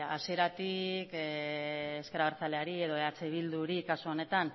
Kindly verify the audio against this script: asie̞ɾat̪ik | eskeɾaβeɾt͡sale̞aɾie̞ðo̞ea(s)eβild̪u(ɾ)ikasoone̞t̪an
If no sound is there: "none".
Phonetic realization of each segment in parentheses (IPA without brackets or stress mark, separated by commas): t͡s, ɾ